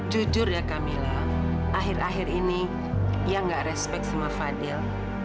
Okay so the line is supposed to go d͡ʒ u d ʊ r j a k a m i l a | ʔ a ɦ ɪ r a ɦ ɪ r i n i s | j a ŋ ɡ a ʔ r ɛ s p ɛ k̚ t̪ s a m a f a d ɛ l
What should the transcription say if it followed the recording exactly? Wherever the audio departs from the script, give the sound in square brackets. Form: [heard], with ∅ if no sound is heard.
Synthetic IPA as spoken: d͡ʒ u [d͡ʒ] ʊ r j a k a m i l a | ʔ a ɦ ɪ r a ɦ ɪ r i n i [∅] | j a ŋ ɡ a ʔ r ɛ s p ɛ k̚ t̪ s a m a f a d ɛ l